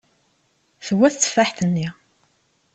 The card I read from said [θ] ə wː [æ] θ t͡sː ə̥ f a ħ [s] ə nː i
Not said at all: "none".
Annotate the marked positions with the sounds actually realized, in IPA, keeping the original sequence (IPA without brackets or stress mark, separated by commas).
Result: θ, æ, θ